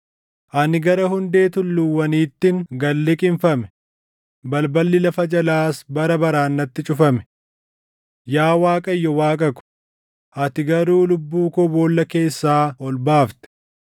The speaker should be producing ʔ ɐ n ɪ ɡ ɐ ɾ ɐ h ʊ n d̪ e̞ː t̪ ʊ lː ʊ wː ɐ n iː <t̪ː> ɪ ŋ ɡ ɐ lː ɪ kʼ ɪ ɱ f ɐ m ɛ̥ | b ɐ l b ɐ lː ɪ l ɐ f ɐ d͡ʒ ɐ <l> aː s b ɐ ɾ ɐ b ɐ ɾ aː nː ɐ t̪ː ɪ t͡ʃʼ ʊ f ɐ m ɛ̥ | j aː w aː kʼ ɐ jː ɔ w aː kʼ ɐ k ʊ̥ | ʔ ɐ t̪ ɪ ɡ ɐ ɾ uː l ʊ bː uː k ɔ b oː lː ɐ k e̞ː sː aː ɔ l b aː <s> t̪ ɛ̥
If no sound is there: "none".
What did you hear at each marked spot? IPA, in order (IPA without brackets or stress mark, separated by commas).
t̪ː, l, f